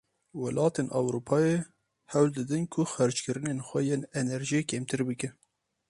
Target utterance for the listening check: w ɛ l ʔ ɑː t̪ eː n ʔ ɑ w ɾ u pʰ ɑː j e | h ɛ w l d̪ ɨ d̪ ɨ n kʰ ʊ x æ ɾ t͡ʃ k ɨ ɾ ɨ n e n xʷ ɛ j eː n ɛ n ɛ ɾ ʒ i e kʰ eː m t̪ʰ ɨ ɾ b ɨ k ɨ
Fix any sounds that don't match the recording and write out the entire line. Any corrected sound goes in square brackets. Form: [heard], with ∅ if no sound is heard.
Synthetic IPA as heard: w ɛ l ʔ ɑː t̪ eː n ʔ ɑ w ɾ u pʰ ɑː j e | h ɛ w l d̪ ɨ d̪ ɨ n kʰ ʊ x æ ɾ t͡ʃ k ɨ ɾ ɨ n e n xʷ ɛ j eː n ɛ n ɛ ɾ ʒ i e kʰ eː m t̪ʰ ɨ ɾ b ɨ k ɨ